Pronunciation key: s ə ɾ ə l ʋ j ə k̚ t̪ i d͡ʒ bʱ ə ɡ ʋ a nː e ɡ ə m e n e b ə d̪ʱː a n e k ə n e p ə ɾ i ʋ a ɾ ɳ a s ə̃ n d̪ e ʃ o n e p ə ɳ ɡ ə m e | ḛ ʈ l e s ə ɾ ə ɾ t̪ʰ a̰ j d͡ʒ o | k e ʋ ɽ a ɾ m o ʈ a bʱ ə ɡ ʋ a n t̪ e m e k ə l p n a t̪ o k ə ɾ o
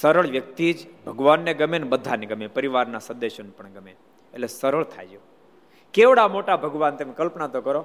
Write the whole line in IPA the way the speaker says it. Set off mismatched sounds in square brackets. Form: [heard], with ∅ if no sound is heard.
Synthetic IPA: s ə ɾ ə [ɭ] ʋ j ə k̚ t̪ i d͡ʒ bʱ ə ɡ ʋ a nː e ɡ ə m e n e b ə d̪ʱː a n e [ɡ] ə [m] e p ə ɾ i ʋ a ɾ [n] a s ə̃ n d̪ e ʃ o n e p ə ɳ ɡ ə m e | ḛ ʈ l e s ə ɾ ə [ɭ] t̪ʰ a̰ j d͡ʒ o | k e ʋ ɽ a [∅] m o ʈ a bʱ ə ɡ ʋ a n t̪ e m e k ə l p n a t̪ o k ə ɾ o